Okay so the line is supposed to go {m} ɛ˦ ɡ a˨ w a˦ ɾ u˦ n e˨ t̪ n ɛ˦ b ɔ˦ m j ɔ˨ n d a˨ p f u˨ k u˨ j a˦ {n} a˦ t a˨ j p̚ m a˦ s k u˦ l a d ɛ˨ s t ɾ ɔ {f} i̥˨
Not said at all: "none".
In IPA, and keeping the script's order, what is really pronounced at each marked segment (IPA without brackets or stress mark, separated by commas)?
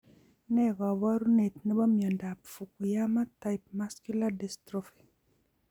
n, m, f